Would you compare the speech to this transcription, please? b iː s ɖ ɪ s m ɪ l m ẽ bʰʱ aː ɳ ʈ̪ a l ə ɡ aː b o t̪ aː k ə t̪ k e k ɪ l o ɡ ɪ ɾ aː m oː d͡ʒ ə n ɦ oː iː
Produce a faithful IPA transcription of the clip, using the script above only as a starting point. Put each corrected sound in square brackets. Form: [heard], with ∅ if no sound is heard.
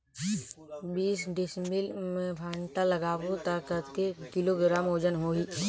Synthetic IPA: b iː s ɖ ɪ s m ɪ l m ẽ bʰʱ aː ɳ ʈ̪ a l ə ɡ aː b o t̪ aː k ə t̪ k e k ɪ l o ɡ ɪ ɾ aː m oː d͡ʒ ə n ɦ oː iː

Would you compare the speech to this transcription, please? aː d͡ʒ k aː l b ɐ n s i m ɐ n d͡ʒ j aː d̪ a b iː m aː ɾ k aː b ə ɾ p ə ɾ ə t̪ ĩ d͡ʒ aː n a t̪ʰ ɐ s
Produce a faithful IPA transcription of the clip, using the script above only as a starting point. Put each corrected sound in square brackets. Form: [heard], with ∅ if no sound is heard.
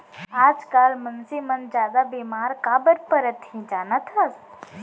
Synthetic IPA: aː d͡ʒ k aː l [m] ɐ n s i m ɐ n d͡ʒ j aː d̪ a b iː m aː ɾ k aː b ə ɾ p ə ɾ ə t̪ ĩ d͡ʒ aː n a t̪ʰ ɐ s

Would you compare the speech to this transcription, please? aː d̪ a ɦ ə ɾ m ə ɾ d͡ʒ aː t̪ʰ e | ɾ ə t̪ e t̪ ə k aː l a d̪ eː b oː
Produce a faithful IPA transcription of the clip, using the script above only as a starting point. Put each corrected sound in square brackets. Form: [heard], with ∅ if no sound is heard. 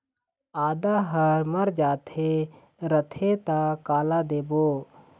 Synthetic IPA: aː d̪ a ɦ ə ɾ m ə ɾ d͡ʒ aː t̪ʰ e | ɾ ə [t̪ʰ] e t̪ [a] k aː l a d̪ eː b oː

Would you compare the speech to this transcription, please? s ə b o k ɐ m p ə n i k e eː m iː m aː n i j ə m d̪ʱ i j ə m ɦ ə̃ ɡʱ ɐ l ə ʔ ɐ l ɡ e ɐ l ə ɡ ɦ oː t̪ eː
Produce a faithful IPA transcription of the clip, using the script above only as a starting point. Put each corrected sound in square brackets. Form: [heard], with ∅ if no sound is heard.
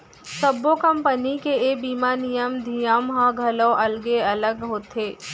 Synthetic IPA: s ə b o k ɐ m p ə n i k e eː [b] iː m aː n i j ə m d̪ʱ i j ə m ɦ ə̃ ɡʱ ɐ l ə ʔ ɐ l ɡ e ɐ l ə ɡ ɦ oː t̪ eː

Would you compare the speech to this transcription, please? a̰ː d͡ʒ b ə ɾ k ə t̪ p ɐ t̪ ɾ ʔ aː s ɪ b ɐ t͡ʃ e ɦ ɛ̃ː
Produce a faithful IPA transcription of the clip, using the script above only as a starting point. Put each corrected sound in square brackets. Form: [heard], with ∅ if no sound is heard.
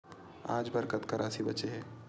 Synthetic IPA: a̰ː d͡ʒ b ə ɾ k ə t̪ [k] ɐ [∅] ɾ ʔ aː s [i] b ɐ t͡ʃ e ɦ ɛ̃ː

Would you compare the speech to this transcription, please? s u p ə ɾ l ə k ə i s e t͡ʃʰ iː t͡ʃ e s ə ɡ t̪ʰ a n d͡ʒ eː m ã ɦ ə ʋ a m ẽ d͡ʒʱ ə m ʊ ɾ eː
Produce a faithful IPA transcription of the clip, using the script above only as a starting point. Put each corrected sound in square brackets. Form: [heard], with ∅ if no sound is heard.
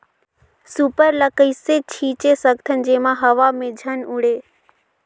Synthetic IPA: s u p ə ɾ l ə k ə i s e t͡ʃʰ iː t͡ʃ e s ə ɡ t̪ʰ [ə] n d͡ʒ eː m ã ɦ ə ʋ a m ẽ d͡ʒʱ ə [n] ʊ [ɽ] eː

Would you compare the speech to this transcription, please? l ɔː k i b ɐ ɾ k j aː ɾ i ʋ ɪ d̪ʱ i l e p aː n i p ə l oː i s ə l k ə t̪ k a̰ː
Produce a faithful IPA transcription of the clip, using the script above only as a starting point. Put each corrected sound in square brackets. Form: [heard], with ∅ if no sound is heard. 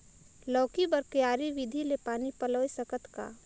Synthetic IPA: l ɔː k i b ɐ ɾ k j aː ɾ i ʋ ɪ d̪ʱ i l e p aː n i p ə l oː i s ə [∅] k ə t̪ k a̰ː

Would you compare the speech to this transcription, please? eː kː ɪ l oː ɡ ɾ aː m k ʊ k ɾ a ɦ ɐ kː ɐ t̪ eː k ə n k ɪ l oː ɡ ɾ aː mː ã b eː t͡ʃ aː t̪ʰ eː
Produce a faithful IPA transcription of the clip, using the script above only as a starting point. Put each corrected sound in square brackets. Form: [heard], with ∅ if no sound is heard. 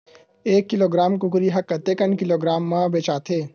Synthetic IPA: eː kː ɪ l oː ɡ ɾ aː m k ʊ k ɾ [i] ɦ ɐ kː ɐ t̪ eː k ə n k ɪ l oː ɡ ɾ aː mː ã b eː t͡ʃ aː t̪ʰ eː

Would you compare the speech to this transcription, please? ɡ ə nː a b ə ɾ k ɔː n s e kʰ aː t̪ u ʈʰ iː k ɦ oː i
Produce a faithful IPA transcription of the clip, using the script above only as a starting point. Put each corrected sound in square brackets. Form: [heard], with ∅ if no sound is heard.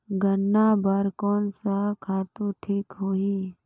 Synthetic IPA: ɡ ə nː a b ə ɾ k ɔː n s [a] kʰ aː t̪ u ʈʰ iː k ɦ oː i

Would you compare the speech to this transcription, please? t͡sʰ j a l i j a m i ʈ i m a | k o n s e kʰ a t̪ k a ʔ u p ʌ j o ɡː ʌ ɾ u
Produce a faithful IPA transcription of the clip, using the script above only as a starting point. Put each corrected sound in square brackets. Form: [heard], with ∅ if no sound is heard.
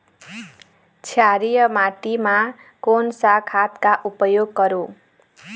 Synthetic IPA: t͡sʰ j a [ɾ] i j [ʌ] m [a] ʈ i m a | k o n s [a] kʰ a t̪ k a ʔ u p ʌ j o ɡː ʌ ɾ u

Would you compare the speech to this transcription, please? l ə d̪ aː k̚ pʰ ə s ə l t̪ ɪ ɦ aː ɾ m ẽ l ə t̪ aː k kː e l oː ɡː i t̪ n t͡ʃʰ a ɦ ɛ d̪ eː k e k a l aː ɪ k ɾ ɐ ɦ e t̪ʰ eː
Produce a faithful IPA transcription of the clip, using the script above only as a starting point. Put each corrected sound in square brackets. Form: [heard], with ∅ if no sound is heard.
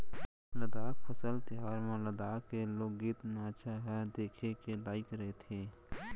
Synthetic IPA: l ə d̪ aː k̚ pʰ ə s ə l t̪ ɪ ɦ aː ɾ m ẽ l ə [d̪] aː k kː e l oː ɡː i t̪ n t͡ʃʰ a ɦ ɛ d̪ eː [kʰ] e k [e] l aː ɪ k ɾ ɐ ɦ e t̪ʰ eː

